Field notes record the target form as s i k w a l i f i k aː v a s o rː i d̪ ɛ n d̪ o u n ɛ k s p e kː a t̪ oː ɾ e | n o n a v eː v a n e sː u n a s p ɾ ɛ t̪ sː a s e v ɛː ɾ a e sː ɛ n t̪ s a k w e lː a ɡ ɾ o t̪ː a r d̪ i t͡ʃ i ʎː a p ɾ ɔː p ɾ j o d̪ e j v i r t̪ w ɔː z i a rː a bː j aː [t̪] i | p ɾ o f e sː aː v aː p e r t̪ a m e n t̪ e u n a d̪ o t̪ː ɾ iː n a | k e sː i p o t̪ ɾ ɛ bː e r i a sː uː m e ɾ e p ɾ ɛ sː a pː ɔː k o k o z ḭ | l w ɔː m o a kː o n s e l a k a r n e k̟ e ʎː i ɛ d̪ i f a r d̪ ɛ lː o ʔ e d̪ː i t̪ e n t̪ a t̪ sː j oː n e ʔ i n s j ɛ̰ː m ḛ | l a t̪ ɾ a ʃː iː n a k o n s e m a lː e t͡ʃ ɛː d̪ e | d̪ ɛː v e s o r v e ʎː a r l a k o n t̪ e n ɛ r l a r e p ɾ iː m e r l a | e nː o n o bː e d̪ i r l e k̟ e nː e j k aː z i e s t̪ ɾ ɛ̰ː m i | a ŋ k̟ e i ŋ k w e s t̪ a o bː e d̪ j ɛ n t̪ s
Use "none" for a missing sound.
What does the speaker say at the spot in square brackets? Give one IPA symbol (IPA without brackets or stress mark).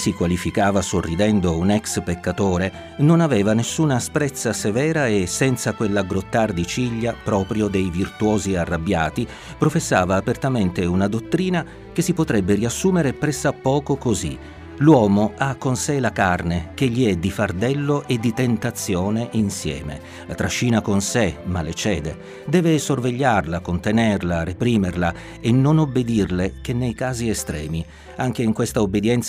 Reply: t̪